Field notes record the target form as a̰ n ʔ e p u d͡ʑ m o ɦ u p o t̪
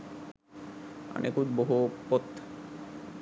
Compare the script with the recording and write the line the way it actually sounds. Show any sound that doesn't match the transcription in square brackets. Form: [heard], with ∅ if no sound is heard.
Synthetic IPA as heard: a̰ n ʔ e [k] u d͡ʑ [b] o ɦ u p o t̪